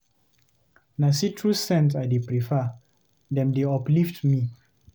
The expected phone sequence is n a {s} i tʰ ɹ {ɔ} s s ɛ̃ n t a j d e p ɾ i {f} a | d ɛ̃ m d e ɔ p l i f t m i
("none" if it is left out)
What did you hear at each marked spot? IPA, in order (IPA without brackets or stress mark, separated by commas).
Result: s, u, f